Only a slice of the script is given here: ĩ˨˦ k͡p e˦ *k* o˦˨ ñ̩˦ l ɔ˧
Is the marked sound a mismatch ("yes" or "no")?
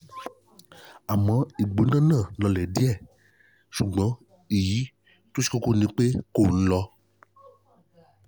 no